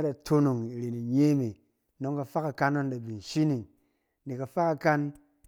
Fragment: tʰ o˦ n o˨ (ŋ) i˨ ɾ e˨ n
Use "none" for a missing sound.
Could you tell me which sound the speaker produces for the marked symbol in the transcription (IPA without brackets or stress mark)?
ŋ